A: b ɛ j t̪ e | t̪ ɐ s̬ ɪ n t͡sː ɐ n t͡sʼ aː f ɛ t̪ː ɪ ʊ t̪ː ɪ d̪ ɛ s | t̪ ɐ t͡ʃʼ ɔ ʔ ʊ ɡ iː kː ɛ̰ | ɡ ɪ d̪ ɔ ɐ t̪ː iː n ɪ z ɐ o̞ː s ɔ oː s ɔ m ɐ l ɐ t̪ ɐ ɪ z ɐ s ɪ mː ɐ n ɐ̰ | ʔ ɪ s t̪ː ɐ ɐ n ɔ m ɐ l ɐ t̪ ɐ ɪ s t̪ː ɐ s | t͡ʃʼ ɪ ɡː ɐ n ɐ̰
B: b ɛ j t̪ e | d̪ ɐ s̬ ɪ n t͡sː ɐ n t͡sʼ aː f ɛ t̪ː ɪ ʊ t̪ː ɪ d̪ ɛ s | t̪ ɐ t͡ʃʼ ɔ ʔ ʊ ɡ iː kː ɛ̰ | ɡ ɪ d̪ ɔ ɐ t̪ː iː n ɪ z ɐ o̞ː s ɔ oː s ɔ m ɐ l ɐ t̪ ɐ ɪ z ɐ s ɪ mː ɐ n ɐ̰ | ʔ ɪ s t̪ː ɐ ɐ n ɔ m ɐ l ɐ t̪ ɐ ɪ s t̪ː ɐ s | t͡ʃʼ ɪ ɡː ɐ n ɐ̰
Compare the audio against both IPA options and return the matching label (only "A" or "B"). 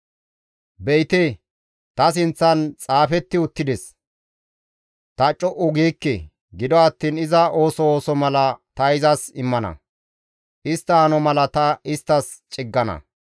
A